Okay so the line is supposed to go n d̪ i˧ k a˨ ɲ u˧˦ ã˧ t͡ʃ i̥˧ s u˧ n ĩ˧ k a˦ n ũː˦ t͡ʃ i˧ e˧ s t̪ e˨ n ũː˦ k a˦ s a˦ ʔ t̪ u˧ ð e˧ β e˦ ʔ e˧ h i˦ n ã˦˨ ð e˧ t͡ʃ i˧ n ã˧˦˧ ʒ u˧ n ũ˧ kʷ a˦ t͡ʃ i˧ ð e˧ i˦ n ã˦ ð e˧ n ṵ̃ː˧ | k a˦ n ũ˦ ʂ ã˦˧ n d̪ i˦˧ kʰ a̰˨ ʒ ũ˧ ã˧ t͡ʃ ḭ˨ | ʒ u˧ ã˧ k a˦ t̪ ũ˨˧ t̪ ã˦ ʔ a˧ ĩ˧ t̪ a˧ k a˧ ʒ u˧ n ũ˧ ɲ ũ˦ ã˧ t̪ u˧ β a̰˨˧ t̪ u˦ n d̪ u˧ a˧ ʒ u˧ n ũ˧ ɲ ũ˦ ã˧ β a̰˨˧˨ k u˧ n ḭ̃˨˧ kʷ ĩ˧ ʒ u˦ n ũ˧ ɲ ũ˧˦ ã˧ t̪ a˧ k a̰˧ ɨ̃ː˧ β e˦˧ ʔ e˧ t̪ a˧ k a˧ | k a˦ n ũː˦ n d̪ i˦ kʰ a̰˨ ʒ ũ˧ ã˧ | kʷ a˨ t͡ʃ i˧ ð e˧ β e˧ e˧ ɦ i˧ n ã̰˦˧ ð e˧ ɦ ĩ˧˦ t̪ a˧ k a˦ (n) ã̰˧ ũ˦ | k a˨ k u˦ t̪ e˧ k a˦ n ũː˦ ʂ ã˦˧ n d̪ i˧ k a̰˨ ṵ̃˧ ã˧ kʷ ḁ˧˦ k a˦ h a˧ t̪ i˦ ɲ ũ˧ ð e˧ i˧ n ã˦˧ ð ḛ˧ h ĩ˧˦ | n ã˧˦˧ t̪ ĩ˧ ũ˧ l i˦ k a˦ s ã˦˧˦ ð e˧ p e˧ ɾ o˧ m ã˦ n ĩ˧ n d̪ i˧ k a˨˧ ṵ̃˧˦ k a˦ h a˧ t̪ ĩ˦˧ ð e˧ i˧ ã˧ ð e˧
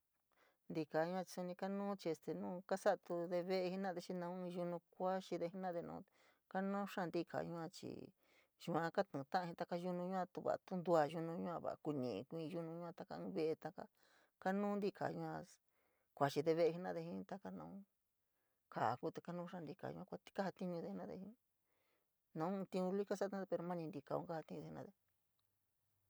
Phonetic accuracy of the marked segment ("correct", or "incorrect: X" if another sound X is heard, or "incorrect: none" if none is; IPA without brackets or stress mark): correct